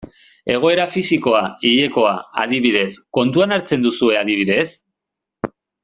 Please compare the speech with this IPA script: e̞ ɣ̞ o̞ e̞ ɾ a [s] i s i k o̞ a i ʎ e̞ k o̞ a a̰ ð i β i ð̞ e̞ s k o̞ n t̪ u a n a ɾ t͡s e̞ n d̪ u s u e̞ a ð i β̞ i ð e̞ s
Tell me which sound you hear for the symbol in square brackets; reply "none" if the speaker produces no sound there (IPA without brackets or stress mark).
f